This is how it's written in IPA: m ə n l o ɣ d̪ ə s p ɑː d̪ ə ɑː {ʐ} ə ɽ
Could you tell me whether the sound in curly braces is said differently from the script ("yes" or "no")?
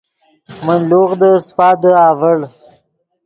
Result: yes